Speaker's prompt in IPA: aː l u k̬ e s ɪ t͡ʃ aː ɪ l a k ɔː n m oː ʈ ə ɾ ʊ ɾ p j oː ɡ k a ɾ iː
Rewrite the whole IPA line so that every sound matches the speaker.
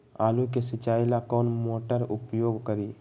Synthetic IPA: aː l u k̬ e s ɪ t͡ʃ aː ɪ l a k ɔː n m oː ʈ ə ɾ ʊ p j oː ɡ k ə ɾ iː